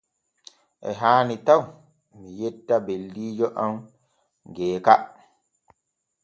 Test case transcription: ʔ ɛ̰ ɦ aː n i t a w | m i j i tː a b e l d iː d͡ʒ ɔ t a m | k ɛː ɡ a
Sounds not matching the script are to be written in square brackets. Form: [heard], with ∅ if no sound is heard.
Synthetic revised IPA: ʔ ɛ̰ ɦ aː n i t a w | m i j [ɛ] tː a b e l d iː d͡ʒ ɔ [ʔ] a m | [ɡ] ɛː [k] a